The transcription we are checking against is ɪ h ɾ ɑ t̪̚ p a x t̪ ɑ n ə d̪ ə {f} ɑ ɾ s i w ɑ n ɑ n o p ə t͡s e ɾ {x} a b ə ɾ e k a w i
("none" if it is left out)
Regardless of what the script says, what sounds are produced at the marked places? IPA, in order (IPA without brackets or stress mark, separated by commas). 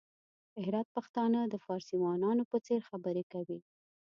f, x